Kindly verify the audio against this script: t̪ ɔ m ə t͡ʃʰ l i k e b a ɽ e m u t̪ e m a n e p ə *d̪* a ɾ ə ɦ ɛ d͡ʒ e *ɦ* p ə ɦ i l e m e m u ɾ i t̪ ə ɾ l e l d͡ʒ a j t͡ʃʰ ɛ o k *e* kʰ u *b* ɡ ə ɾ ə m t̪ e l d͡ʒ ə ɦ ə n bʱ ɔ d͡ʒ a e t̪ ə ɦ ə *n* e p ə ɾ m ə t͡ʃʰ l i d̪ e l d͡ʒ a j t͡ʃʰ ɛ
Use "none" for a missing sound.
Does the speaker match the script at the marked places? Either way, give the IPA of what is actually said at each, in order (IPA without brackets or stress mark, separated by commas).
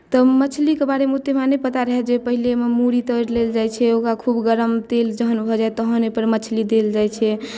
t̪, none, a, b, n